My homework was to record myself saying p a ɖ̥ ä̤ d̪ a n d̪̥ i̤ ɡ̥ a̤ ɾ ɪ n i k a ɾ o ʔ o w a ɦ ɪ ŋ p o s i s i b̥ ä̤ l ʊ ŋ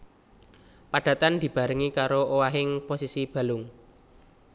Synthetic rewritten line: p a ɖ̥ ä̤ t̪ a n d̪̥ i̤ b̥ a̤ ɾ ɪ ŋ i k a ɾ o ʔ o w a ɦ ɪ ŋ p o s i s i b̥ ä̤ l ʊ ŋ